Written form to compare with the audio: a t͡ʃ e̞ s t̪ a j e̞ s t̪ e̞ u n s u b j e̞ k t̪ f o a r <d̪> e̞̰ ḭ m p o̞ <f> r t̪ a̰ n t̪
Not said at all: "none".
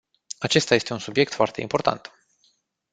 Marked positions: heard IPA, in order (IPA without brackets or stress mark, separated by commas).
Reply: t̪, none